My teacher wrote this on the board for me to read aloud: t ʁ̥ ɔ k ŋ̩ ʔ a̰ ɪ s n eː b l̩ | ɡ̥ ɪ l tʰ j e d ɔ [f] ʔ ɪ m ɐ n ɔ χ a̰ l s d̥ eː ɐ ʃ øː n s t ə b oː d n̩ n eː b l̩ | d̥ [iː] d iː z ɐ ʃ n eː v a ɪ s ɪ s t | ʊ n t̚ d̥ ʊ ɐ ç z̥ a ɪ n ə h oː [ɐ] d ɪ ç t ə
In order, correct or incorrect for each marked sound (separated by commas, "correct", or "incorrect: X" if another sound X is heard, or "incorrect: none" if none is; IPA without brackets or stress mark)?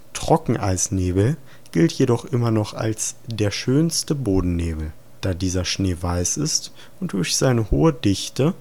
incorrect: χ, incorrect: aː, incorrect: ə